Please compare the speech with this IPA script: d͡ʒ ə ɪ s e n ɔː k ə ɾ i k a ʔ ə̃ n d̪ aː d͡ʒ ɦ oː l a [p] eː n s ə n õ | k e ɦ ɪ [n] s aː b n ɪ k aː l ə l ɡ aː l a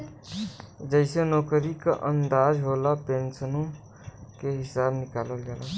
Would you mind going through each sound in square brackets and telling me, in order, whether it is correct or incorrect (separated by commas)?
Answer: correct, incorrect